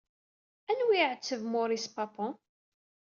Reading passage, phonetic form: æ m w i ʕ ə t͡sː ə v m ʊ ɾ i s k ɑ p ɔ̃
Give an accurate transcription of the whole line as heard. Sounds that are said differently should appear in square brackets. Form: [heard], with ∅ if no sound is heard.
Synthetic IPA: æ [n] w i ʕ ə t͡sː ə v m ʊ ɾ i s [p] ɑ p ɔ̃